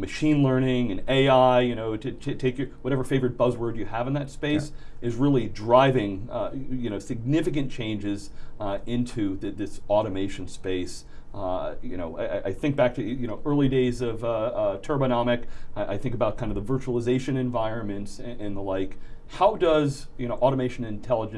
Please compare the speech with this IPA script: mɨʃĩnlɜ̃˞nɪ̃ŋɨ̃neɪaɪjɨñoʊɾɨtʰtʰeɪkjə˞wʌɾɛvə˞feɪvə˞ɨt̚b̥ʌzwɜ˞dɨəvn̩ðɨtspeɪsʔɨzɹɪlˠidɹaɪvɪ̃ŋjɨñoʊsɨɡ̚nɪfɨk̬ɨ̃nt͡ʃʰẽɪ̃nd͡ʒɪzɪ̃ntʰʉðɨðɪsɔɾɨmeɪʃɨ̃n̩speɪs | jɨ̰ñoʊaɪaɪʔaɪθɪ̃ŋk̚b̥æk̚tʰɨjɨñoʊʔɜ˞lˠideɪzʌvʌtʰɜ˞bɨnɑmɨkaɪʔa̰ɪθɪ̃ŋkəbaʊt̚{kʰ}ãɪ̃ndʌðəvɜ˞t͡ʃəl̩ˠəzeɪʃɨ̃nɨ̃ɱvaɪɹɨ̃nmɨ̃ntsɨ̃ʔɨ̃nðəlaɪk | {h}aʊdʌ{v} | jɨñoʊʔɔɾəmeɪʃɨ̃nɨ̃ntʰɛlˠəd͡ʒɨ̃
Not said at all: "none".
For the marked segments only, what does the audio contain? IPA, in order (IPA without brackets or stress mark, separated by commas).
kʰ, h, z